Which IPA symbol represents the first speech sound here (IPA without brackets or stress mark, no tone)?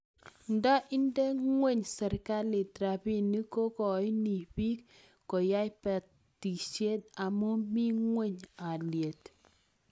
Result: n